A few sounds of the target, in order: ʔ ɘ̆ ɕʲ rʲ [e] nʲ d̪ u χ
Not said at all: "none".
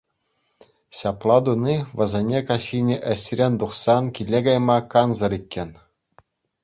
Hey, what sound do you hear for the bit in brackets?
e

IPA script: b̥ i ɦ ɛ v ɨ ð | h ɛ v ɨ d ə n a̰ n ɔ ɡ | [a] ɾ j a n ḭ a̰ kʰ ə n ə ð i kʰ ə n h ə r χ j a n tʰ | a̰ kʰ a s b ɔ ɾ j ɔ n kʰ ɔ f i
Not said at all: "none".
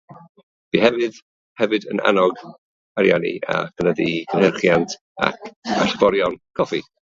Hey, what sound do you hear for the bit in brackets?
a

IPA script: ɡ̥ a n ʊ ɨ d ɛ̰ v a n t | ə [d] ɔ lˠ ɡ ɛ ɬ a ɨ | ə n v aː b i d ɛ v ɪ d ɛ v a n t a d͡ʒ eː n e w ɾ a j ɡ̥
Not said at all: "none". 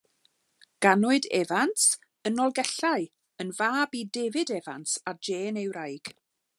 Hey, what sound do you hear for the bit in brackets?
n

